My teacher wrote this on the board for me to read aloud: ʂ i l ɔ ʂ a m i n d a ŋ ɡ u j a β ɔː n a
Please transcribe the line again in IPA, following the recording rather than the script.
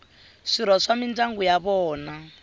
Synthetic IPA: ʂ i ɾ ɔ ʂ a m i n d a ŋ ɡ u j a β ɔː n a